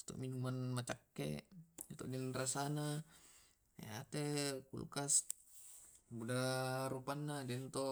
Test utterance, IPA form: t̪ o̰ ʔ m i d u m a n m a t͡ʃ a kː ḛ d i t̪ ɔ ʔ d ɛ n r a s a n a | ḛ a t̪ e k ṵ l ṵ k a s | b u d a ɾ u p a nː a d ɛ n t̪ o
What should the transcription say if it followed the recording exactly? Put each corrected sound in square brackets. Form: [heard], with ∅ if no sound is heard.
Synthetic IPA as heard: t̪ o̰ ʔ m i [n] u m a n m a t͡ʃ a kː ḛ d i t̪ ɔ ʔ d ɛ n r a s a n a | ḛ a t̪ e k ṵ l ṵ k a s | b u d a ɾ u p a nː a d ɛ n t̪ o